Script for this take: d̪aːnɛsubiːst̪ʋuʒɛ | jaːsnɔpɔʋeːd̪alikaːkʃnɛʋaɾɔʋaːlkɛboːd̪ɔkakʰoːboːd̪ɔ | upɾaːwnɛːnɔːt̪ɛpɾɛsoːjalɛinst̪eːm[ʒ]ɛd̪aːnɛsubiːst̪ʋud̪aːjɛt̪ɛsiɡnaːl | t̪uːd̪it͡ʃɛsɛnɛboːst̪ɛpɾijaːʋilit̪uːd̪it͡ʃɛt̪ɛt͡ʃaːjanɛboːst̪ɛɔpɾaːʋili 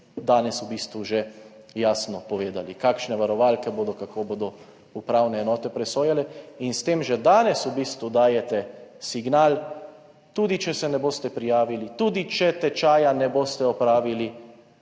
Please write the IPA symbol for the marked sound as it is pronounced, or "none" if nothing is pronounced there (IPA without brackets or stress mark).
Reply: ʒ